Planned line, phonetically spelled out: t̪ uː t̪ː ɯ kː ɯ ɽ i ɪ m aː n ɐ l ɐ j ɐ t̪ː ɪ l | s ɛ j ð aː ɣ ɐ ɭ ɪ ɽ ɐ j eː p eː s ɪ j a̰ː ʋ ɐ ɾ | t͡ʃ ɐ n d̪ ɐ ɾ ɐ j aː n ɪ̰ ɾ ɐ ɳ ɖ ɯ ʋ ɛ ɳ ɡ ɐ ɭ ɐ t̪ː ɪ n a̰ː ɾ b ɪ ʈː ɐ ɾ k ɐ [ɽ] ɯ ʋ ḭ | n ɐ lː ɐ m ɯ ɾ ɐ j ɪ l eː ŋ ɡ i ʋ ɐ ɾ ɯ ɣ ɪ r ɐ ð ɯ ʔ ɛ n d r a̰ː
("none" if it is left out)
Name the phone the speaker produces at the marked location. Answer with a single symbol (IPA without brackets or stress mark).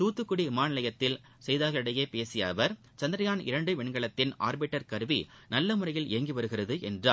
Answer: ɾ